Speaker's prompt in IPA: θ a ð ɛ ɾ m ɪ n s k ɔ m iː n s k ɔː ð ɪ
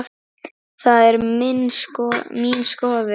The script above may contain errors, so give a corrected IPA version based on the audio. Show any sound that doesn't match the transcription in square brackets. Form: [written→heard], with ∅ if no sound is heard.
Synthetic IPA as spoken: θ a ð ɛ ɾ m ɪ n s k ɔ m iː n s k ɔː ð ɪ